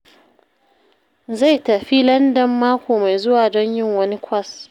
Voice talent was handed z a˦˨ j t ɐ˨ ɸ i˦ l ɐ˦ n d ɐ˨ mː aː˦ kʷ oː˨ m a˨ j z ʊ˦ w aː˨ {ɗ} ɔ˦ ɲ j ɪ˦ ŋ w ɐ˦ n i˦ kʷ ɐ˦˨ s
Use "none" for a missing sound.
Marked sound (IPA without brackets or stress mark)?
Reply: d